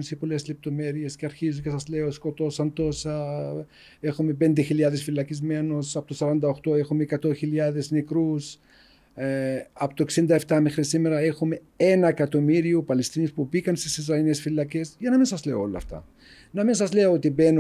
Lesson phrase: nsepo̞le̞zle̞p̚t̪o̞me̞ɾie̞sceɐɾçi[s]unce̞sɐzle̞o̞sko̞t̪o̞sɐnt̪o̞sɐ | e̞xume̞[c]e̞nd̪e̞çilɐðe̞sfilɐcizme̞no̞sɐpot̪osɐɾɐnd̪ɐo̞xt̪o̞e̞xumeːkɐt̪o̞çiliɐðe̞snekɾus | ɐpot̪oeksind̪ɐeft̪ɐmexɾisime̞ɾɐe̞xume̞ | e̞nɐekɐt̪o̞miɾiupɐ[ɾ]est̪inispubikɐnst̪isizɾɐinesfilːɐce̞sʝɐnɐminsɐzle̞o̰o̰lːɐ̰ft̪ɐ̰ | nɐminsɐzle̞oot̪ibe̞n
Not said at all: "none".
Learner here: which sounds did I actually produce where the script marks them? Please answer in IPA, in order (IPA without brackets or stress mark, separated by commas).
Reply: z, p, l